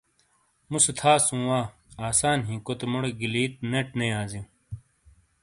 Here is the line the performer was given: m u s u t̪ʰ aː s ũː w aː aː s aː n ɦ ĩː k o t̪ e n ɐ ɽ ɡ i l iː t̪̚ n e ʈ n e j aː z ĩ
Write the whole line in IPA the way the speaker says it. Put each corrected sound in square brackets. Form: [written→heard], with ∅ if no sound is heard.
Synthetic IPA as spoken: m u s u t̪ʰ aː s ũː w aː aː s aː n ɦ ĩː k o t̪ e [n→m] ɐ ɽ ɡ i l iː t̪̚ n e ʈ n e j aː z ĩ